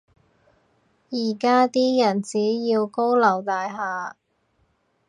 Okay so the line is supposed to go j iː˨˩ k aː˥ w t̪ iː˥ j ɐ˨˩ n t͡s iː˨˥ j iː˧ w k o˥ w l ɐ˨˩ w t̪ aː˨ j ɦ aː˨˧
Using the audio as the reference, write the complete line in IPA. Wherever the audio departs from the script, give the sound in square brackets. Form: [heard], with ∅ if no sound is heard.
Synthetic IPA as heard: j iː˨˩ k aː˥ [∅] t̪ iː˥ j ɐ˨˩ n t͡s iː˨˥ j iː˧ w k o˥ w l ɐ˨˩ w t̪ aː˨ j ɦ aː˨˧